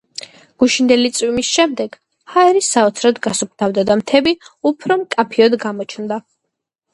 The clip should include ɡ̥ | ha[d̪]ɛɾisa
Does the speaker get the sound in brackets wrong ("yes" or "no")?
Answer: yes